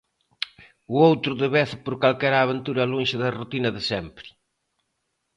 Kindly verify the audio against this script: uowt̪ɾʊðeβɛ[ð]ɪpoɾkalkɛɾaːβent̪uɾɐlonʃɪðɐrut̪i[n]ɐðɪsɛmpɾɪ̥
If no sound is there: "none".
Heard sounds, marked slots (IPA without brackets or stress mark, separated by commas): θ, n